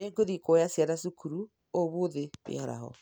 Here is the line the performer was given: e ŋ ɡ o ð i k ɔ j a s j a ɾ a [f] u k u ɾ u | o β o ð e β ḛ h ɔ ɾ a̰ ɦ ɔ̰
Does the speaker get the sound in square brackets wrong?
yes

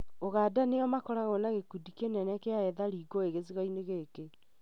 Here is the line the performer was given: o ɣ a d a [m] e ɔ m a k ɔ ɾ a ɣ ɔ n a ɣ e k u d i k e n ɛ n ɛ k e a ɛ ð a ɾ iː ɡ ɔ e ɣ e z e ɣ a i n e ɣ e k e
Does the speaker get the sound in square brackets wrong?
yes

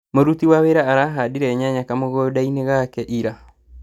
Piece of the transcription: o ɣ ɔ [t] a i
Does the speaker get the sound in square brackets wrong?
yes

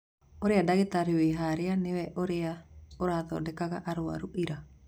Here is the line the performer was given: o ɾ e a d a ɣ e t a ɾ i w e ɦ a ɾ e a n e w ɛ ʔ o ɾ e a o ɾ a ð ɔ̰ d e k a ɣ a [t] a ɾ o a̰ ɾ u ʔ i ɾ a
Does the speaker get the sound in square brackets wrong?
yes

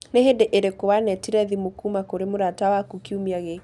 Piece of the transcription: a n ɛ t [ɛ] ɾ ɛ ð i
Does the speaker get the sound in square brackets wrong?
yes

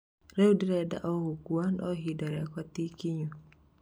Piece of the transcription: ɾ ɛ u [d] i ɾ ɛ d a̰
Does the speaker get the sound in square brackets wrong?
no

